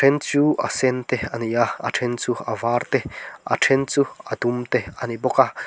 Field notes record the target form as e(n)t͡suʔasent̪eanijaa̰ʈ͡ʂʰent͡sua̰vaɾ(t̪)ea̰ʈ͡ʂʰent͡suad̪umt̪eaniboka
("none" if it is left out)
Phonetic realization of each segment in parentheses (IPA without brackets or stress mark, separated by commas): n, t̪